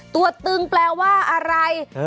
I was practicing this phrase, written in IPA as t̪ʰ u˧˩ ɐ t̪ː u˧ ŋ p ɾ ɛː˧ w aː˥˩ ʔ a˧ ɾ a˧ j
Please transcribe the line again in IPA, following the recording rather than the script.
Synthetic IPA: t̪ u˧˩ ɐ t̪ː ɯ˧ ŋ p l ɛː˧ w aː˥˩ ʔ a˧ ɾ a˧ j